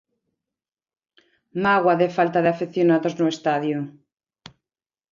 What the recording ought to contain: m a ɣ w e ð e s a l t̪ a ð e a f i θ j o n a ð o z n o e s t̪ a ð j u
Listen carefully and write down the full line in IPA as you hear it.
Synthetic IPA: m a ɣ w a ð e f a l t̪ a ð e a f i θ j o n a ð o z n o e s t̪ a ð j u